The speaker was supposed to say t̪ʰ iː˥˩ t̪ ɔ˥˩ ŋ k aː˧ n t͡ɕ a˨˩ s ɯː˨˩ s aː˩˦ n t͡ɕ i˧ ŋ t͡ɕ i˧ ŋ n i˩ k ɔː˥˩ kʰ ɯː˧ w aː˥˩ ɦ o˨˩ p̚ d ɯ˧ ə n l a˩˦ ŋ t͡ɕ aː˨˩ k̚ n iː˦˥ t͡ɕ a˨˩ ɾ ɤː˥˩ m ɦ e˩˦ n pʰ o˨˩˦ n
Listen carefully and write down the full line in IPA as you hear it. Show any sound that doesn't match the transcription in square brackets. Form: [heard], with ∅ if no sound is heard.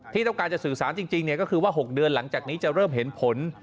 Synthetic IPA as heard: t̪ʰ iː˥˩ t̪ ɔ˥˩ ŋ k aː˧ n t͡ɕ a˨˩ s ɯː˨˩ s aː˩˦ n t͡ɕ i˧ ŋ t͡ɕ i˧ ŋ n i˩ k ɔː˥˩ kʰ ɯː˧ w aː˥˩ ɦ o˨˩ [k̚] d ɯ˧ ə n l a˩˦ ŋ t͡ɕ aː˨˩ k̚ n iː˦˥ t͡ɕ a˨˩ ɾ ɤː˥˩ m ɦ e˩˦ n pʰ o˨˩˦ n